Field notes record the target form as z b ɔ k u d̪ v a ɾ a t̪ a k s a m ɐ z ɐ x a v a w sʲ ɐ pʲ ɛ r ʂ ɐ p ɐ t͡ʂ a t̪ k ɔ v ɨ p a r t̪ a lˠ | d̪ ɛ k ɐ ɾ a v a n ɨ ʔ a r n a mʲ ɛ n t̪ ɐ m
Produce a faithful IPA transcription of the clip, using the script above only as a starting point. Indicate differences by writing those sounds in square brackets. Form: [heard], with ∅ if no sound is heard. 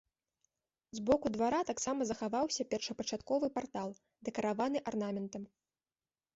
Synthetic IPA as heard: z b ɔ k u d̪ v a ɾ a t̪ a k s a m ɐ z ɐ x a v a w sʲ ɐ pʲ ɛ r ʂ ɐ p ɐ t͡ʂ a t̪ k ɔ v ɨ p a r t̪ a lˠ | d̪ ɛ k ɐ ɾ a v a n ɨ ʔ a r n a mʲ ɛ n t̪ ɐ m